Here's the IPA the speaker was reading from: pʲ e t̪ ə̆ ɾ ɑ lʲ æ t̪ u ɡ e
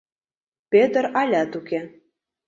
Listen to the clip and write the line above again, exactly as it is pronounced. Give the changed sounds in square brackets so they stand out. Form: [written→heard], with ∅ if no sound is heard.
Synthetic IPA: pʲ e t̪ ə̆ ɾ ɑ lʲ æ t̪ u [ɡ→k] e